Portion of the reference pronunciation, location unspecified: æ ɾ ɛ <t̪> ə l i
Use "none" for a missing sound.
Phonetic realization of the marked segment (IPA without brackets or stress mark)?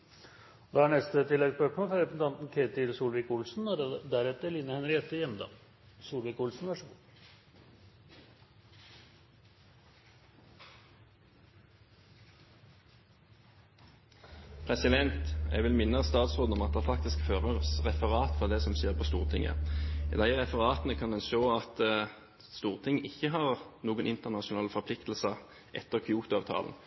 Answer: t̪